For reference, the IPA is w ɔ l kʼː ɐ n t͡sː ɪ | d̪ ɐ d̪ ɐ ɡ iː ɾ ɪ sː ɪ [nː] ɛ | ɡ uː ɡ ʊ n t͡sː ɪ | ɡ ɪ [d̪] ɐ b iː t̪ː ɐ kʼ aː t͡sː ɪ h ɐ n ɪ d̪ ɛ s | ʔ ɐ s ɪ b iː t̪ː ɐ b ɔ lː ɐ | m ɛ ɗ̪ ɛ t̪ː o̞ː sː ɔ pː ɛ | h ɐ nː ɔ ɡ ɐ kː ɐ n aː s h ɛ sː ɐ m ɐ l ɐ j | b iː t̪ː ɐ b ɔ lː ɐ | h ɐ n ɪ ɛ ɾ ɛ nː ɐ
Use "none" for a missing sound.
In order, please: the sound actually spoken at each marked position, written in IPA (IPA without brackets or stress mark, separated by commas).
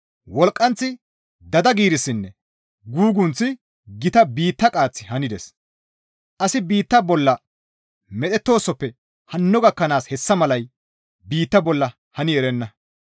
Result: nː, t̪